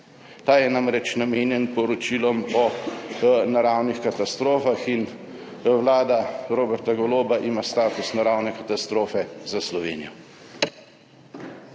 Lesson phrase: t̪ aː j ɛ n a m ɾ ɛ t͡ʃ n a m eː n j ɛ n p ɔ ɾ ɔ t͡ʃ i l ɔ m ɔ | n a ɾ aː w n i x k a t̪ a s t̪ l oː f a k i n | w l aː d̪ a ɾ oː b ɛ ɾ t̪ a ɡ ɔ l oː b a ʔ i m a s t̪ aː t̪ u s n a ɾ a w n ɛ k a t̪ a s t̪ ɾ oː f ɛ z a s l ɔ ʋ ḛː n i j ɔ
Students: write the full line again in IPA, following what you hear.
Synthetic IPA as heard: t̪ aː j ɛ n a m ɾ ɛ t͡ʃ n a m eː n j ɛ n p ɔ ɾ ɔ t͡ʃ i l ɔ m ɔ | n a ɾ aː w n i x k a t̪ a s t̪ ɾ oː f a x i n | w l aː d̪ a ɾ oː b ɛ ɾ t̪ a ɡ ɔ l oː b a ʔ i m a s t̪ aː t̪ u s n a ɾ a w n ɛ k a t̪ a s t̪ ɾ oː f ɛ z a s l ɔ ʋ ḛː n i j ɔ